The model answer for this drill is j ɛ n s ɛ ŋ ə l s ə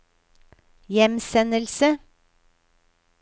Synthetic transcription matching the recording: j ɛ m s ɛ n ə l s ə